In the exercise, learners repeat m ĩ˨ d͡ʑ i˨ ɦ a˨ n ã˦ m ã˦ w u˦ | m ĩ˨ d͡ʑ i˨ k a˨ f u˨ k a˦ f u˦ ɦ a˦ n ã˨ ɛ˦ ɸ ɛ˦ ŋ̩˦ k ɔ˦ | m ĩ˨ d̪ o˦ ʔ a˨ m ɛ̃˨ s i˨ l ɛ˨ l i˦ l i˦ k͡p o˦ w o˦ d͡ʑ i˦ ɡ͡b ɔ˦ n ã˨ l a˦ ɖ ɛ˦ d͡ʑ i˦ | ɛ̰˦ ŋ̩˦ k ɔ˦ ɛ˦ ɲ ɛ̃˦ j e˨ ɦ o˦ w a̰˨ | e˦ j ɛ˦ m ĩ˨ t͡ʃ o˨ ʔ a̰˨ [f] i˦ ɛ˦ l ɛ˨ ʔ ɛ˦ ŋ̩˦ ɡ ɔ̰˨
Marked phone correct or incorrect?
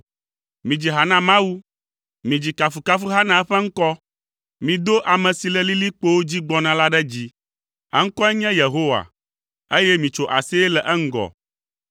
incorrect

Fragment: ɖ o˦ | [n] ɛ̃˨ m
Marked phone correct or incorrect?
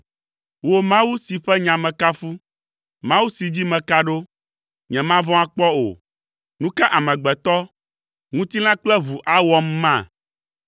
incorrect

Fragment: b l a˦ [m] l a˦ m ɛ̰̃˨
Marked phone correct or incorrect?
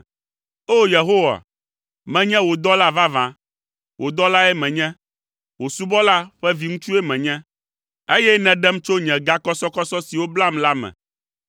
correct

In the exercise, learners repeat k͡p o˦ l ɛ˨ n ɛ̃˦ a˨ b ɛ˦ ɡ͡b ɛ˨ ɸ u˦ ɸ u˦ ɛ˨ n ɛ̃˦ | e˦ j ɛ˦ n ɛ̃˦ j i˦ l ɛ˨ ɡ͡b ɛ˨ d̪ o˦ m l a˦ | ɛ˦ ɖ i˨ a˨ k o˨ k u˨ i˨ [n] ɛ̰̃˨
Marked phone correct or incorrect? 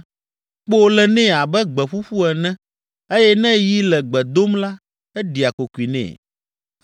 correct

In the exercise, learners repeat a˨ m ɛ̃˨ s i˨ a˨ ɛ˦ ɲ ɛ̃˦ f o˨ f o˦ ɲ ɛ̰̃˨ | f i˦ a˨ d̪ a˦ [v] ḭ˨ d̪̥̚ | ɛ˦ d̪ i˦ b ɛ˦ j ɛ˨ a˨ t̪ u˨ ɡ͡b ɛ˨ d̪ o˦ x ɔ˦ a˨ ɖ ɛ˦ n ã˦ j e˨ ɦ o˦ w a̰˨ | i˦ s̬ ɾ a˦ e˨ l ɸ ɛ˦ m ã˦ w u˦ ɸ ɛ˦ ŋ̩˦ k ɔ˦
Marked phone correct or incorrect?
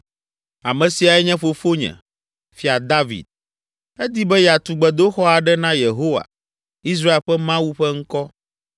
correct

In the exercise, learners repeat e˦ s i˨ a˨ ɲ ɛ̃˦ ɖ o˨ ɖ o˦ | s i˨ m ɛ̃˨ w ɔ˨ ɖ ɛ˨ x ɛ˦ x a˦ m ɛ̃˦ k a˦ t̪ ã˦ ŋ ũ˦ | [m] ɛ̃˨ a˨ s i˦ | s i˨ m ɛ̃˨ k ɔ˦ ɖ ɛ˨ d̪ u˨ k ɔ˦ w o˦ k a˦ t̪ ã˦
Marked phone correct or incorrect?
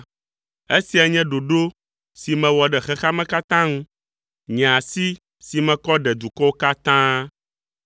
incorrect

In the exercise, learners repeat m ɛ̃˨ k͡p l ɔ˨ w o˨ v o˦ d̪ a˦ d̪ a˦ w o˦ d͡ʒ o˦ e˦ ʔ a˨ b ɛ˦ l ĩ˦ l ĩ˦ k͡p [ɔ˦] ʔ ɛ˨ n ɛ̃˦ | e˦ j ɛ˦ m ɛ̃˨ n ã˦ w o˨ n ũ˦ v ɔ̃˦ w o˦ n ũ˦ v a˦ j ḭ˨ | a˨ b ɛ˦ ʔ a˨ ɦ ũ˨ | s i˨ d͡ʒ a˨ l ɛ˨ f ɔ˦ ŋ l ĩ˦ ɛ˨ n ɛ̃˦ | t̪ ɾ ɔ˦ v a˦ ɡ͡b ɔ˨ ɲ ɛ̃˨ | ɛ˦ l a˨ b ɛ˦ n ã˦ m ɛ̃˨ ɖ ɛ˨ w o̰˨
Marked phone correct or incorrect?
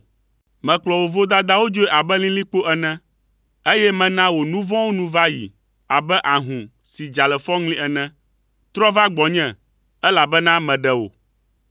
incorrect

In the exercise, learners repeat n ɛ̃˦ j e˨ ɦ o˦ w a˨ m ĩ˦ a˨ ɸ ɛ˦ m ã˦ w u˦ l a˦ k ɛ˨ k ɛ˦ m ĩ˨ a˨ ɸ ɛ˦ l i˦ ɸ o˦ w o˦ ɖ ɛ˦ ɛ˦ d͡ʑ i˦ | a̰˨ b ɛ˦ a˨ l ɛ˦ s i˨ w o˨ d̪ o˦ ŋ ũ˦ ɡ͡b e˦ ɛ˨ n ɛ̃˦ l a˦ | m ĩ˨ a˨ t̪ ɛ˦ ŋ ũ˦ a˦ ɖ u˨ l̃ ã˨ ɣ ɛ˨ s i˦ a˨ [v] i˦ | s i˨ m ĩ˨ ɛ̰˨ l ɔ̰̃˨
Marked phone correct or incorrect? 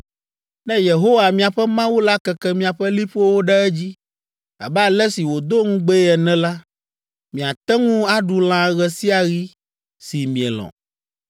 incorrect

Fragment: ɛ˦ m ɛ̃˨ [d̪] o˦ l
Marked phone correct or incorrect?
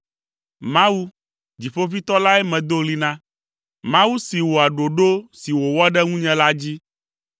correct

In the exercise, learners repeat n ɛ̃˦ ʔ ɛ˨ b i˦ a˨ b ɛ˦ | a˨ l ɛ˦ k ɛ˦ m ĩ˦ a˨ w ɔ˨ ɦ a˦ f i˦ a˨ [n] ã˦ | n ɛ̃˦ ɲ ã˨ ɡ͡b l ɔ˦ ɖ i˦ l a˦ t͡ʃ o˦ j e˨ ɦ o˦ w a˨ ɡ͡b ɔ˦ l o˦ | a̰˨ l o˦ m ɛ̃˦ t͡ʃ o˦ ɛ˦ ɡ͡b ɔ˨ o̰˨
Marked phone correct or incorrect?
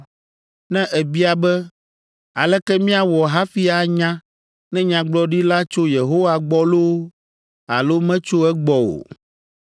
incorrect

